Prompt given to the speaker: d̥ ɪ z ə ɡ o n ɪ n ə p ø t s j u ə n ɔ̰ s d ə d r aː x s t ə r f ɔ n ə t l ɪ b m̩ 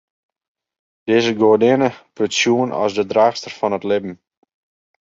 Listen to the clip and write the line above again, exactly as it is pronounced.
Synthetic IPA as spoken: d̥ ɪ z ə ɡ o d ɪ n ə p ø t s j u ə n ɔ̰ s d ə d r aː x s t ə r f ɔ n ə t l ɪ b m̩